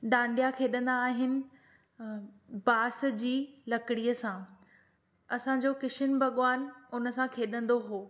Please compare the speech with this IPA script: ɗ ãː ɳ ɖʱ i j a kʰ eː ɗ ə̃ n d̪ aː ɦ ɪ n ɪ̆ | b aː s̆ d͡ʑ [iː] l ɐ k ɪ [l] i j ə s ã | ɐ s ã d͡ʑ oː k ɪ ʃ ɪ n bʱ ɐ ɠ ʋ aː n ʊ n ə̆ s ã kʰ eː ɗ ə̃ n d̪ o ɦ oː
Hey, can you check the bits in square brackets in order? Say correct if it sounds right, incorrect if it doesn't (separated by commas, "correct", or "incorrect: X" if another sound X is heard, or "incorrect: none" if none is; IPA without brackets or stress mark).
correct, incorrect: ɽ